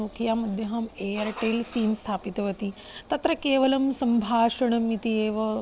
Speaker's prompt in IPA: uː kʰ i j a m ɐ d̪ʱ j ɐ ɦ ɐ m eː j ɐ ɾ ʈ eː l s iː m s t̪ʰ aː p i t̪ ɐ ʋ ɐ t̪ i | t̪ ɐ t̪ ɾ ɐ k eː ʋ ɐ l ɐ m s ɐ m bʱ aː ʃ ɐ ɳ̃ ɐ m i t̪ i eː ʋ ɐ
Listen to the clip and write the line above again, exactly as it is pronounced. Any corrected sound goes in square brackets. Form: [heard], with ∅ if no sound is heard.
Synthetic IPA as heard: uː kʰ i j a m ɐ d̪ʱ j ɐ ɦ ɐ m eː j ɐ ɾ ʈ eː l s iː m s t̪ʰ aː p i t̪ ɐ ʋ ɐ t̪ i | t̪ ɐ t̪ ɾ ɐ k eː ʋ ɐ l ɐ m s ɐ m bʱ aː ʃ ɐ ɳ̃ ɐ m i t̪ i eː ʋ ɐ